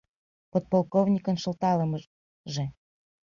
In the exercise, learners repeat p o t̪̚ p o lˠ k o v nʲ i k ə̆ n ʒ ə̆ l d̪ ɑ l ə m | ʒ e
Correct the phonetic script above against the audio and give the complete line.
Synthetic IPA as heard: p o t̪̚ p o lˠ k o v nʲ i k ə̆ n ʃ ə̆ l t̪ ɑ l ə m | ʒ e

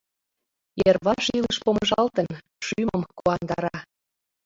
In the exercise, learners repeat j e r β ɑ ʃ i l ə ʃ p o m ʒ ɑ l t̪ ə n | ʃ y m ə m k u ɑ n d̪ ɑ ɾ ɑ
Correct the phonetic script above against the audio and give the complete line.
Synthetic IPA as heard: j e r β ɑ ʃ i l ə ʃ p o m ʒ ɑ l t̪ ə n | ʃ y m ə m k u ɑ n d̪ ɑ ɾ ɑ

